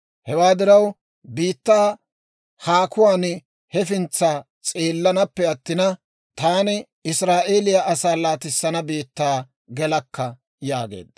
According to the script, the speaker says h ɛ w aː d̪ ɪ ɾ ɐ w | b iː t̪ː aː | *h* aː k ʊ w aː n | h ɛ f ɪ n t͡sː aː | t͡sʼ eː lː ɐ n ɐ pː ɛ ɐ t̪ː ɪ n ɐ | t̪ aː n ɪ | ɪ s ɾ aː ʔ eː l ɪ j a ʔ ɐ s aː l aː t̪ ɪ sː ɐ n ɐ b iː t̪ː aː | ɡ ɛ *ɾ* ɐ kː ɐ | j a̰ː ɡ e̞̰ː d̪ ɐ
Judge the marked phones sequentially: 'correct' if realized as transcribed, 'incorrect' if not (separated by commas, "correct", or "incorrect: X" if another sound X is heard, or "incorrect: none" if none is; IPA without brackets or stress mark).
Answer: correct, incorrect: l